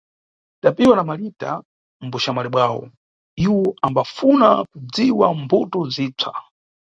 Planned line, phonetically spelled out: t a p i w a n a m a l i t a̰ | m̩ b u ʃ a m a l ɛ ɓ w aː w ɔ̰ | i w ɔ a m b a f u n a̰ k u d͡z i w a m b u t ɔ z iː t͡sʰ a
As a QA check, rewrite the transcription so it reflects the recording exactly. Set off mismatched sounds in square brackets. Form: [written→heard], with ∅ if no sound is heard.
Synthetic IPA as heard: t a p i w a n a m a l i t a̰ | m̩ b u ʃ a m a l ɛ ɓ w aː w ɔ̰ | i w ɔ a m b a f u n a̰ k u d͡z i w a m b u t ɔ z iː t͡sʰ a